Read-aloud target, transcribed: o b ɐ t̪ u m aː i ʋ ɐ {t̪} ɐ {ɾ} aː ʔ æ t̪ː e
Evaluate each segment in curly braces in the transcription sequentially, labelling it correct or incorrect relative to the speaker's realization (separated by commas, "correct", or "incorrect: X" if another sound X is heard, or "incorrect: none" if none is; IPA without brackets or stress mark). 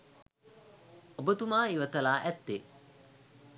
correct, incorrect: l